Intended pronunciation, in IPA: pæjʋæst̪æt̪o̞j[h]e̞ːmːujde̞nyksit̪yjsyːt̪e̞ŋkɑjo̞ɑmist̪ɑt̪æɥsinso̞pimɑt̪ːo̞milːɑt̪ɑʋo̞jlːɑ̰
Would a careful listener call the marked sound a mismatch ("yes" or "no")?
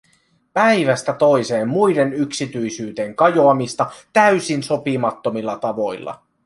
yes